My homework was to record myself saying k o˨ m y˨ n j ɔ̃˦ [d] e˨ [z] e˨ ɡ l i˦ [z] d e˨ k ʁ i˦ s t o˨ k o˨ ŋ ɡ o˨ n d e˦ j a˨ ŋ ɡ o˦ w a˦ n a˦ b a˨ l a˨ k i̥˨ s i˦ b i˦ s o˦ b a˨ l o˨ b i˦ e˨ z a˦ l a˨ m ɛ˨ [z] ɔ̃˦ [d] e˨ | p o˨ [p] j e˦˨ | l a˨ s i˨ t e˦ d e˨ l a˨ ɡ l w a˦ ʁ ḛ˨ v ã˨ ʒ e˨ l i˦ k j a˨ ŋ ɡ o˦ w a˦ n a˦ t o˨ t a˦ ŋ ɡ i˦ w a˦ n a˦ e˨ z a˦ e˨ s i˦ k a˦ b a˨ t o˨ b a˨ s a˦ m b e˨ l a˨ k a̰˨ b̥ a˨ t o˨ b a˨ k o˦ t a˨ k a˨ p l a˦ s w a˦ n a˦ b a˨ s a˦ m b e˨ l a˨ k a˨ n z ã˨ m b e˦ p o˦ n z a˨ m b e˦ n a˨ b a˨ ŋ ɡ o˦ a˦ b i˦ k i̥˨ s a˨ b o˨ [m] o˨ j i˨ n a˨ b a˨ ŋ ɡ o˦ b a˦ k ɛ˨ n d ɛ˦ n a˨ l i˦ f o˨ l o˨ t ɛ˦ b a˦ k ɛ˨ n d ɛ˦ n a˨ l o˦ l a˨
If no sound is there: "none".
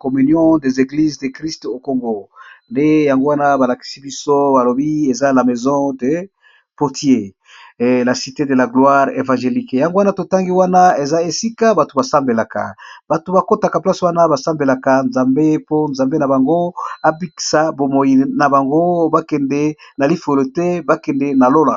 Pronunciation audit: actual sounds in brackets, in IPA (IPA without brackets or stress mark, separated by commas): d, z, z, z, d, t, m